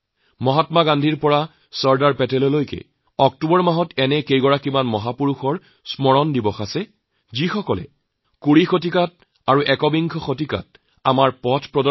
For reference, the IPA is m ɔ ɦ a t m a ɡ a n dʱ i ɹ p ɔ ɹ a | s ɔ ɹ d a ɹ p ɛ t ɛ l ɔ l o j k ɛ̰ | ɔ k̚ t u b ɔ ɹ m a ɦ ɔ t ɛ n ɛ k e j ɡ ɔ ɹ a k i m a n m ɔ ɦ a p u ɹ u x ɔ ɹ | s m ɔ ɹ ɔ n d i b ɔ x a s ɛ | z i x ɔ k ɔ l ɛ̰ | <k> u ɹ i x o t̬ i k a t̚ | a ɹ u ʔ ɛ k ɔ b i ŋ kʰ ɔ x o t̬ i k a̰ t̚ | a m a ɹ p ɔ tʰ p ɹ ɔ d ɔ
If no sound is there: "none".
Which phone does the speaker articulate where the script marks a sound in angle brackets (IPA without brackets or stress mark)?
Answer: k